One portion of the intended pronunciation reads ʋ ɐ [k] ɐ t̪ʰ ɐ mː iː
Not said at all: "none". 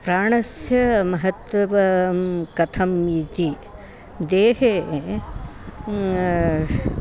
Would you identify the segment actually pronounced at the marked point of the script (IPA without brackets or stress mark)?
k